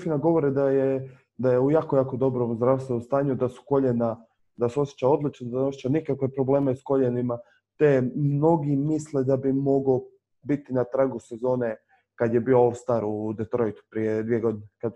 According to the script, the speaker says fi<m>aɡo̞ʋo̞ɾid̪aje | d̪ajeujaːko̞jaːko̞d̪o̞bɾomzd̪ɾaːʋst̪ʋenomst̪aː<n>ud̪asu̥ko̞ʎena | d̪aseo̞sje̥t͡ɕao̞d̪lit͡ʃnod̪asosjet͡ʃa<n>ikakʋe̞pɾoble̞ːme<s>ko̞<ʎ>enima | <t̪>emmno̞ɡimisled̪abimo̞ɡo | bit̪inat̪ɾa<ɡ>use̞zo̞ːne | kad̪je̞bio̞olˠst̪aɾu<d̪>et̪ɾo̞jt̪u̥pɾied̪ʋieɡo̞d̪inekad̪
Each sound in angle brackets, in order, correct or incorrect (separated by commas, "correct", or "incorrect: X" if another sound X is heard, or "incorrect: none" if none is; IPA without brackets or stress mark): incorrect: n, incorrect: ɲ, correct, correct, correct, correct, correct, correct